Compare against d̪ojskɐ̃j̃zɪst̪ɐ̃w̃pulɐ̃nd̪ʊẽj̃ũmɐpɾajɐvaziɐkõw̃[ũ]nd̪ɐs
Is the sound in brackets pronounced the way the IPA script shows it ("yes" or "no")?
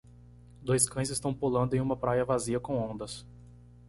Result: no